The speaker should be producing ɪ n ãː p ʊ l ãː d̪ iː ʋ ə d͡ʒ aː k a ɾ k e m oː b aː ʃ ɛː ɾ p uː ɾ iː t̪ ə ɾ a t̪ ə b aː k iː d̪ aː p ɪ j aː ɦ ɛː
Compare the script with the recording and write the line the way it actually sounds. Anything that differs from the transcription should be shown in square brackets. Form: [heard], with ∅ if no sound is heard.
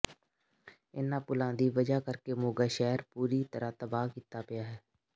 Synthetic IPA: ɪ n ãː p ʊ l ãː d̪ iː ʋ ə d͡ʒ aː k [ə] ɾ k e m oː [ɡ] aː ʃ ɛː ɾ p uː ɾ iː t̪ ə ɾ a t̪ ə b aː k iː [t̪] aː p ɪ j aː ɦ ɛː